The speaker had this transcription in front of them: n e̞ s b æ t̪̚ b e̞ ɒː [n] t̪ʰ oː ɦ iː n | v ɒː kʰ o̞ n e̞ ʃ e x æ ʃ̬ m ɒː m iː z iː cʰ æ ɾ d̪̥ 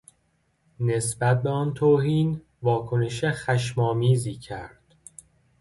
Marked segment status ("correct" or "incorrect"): correct